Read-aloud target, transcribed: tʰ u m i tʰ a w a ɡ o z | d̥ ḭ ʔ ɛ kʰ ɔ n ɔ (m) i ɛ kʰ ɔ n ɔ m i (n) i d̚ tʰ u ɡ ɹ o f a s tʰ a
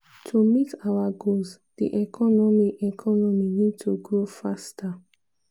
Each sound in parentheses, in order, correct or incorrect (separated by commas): correct, correct